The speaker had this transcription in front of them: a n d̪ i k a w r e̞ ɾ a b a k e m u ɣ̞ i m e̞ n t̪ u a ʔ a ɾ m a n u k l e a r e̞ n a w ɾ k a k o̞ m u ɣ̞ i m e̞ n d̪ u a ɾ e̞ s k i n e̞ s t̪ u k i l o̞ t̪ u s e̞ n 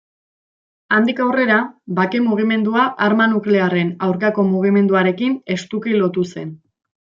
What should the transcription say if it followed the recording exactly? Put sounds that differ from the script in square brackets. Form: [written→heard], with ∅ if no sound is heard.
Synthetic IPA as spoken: a n d̪ i k a w r e̞ ɾ a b a k e m u ɣ̞ i m e̞ n [t̪→d̪] u a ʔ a ɾ m a n u k l e a r e̞ n a w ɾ k a k o̞ m u ɣ̞ i m e̞ n d̪ u a ɾ e̞ [s→∅] k i n e̞ s t̪ u k i l o̞ t̪ u s e̞ n